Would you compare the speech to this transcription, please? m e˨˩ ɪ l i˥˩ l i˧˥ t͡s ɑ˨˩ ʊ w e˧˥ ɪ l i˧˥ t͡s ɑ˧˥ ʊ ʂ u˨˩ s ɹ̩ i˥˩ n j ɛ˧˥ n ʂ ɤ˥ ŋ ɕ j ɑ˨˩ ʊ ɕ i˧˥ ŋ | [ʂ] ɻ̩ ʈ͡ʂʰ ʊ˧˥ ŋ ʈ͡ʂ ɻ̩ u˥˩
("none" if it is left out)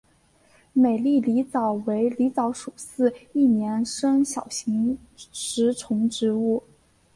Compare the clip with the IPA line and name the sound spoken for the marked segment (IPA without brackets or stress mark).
ʂ